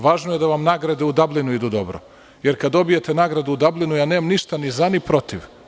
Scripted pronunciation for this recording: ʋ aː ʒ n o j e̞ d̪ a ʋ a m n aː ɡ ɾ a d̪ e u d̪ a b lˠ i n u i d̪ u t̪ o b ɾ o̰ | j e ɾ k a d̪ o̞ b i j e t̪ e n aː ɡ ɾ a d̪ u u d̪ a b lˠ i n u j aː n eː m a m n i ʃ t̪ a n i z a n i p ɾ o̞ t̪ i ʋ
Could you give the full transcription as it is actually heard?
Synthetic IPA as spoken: ʋ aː ʒ n o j e̞ d̪ a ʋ a m n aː ɡ ɾ a d̪ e u d̪ a b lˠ i n u i d̪ u d̪ o b ɾ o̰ | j e ɾ k a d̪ o̞ b i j e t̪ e n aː ɡ ɾ a d̪ u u d̪ a b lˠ i n u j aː n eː m a m n i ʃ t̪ a n i z a n i p ɾ o̞ t̪ i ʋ

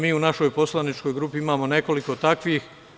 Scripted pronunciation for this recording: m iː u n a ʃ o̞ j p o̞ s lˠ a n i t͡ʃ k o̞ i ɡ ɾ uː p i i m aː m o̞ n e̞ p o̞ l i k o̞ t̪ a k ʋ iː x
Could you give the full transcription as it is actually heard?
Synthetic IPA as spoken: m iː u n a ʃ o̞ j p o̞ s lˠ a n i t͡ʃ k o̞ j ɡ ɾ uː p i i m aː m o̞ n e̞ k o̞ l i k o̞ t̪ a k ʋ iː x

